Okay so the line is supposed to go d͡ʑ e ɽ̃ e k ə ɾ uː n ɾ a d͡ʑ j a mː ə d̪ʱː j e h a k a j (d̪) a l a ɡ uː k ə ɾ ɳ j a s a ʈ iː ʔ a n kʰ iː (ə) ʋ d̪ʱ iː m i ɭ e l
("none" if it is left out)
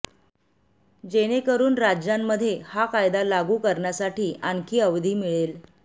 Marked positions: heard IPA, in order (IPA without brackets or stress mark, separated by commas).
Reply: d̪, ə